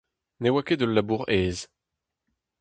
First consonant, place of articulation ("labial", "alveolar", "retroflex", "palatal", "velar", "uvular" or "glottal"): alveolar